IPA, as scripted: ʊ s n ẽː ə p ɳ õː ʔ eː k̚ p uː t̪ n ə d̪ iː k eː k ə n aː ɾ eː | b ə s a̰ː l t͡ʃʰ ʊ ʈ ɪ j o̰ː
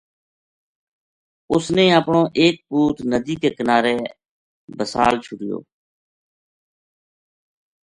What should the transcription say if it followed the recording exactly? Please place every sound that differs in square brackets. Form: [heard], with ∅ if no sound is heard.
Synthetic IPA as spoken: ʊ s n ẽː ə p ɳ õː ʔ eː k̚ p uː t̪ n ə d̪ iː k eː k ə n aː ɾ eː | b ə s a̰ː l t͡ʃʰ ʊ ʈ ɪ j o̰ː